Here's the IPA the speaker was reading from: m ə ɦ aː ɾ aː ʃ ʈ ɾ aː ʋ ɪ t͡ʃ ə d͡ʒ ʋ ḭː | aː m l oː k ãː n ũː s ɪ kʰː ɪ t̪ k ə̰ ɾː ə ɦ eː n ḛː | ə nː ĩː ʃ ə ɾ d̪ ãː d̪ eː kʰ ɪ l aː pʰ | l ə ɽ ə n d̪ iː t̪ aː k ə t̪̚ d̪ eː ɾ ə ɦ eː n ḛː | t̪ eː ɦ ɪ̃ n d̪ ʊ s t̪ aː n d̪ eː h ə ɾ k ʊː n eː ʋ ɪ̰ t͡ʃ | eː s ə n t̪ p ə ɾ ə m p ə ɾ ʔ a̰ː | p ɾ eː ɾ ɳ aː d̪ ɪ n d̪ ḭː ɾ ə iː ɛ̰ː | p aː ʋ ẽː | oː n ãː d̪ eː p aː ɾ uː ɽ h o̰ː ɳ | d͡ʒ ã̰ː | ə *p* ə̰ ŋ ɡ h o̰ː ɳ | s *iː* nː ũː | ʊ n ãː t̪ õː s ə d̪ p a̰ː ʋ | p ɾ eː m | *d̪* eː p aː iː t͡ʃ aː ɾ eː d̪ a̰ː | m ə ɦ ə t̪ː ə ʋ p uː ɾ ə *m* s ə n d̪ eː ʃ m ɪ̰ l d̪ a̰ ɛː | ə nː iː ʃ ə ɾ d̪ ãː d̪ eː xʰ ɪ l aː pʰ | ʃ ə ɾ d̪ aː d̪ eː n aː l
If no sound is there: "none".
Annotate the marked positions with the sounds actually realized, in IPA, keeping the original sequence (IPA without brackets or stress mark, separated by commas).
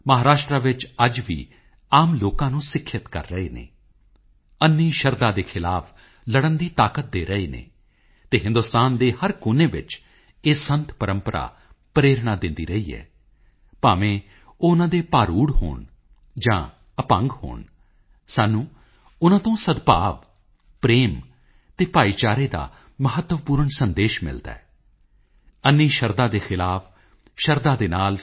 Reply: p, aː, t̪, ɳ